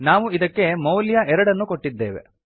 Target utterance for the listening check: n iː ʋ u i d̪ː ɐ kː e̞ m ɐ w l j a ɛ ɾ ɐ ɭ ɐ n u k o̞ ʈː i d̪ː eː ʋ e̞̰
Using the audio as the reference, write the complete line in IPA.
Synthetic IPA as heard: n aː ʋ u i d̪ ɐ kː e̞ m ɐ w l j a ɛ ɾ ɐ ɽ ɐ nː u k o̞ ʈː i d̪ː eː ʋ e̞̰